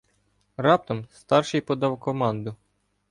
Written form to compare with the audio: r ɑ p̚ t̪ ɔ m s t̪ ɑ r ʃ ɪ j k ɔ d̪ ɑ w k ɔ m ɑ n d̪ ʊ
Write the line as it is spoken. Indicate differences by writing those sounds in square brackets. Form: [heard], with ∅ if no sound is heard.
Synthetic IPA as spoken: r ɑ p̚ t̪ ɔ m s t̪ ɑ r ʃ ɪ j [p] ɔ d̪ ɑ w k ɔ m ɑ n d̪ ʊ